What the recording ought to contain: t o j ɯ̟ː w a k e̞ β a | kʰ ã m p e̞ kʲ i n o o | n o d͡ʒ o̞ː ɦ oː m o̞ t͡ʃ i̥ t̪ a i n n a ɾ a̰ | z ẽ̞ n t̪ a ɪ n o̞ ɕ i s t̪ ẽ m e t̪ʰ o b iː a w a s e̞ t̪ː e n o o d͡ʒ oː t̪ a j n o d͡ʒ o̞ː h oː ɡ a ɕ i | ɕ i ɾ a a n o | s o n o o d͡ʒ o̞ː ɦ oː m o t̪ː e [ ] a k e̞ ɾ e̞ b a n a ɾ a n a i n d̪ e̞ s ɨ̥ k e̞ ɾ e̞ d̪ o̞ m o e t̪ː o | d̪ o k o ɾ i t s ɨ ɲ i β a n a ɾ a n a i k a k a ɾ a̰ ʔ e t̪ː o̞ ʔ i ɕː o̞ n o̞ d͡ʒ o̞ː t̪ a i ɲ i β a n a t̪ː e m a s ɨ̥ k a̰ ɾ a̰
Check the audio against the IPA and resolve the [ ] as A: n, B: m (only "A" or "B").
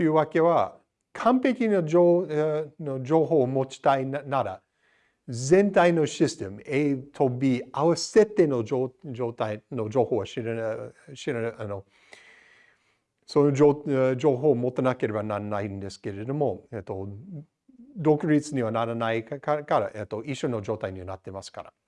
A